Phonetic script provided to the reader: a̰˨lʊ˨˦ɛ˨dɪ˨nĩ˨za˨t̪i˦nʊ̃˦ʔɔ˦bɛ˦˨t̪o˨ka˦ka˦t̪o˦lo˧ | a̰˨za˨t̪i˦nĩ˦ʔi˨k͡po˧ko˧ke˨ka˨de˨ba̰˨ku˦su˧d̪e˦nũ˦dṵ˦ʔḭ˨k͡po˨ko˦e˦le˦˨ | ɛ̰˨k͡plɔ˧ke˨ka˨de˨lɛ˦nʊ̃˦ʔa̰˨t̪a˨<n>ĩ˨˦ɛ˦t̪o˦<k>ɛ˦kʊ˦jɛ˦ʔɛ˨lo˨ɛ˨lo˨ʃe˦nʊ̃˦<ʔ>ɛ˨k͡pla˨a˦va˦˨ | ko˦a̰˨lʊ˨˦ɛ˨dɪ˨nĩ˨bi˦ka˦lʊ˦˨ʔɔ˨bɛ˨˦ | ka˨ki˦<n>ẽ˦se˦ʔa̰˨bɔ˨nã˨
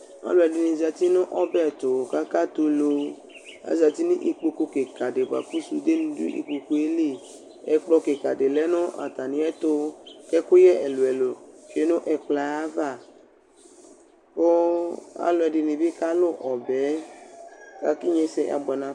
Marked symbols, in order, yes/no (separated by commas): yes, yes, yes, no